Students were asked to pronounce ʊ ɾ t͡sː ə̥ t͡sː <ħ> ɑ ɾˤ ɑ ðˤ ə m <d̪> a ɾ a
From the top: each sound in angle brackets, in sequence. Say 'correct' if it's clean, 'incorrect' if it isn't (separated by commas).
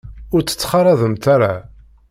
incorrect, incorrect